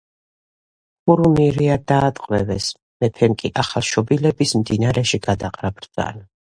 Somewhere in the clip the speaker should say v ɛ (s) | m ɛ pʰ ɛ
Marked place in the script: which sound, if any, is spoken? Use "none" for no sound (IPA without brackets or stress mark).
s